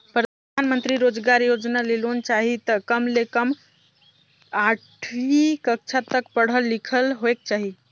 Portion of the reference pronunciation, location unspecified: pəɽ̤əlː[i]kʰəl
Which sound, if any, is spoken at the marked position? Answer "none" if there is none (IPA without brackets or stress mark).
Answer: i